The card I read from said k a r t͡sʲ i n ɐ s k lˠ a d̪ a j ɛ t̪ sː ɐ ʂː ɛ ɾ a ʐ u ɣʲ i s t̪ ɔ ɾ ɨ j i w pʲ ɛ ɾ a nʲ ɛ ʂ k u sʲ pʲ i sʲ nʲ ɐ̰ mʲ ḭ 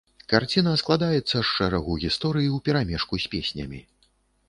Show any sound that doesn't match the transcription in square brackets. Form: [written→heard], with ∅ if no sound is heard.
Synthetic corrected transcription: k a r t͡sʲ i n ɐ s k lˠ a d̪ a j ɛ t̪ sː ɐ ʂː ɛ ɾ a [ʐ→ɣ] u ɣʲ i s t̪ ɔ ɾ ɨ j i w pʲ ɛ ɾ a [nʲ→mʲ] ɛ ʂ k u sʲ pʲ [i→e] sʲ nʲ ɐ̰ mʲ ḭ